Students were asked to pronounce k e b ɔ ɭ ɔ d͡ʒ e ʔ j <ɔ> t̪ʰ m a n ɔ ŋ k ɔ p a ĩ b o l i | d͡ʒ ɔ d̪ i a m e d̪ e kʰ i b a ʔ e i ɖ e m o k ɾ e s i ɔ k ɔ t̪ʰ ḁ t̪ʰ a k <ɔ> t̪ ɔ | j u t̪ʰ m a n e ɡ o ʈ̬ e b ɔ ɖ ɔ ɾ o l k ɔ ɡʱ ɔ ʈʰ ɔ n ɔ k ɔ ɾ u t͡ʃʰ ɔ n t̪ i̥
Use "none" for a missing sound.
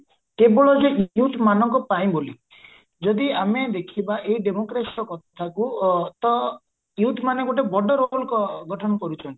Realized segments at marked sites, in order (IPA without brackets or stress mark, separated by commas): u, u